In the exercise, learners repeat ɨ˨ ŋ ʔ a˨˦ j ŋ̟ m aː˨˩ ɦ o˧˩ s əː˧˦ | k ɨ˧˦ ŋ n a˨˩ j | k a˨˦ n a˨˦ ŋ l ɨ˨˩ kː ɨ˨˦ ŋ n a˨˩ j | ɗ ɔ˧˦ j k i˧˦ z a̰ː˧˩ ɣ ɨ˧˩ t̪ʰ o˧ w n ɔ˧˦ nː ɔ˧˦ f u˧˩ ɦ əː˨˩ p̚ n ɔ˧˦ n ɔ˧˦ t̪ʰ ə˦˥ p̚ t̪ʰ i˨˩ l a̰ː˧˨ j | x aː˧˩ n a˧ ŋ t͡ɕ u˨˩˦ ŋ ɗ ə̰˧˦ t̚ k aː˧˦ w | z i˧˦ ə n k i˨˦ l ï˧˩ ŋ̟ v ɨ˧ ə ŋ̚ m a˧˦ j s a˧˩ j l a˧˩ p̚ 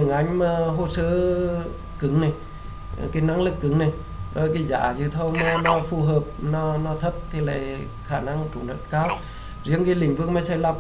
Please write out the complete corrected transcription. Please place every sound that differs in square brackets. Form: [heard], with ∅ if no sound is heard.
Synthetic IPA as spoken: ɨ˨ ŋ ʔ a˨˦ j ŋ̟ m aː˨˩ ɦ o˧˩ s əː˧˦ | k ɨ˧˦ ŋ n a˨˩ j | k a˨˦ n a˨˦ ŋ l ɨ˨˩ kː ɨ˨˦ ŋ n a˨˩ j | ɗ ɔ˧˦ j k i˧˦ z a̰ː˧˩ [z] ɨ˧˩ t̪ʰ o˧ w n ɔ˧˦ [n] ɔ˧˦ f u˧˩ ɦ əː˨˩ p̚ n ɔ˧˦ n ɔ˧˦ t̪ʰ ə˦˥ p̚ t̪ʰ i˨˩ l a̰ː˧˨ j | x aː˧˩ n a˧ ŋ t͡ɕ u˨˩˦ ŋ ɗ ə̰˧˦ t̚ k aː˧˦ w | z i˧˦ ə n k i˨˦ l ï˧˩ ŋ̟ v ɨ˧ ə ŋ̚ m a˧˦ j s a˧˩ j l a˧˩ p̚